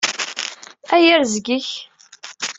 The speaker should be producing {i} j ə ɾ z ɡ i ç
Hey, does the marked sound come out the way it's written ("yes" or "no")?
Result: no